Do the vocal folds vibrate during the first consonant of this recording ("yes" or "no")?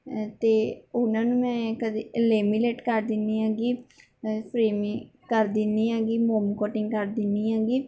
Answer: no